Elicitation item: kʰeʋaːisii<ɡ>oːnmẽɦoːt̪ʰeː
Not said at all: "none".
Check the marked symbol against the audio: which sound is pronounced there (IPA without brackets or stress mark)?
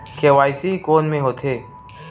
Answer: k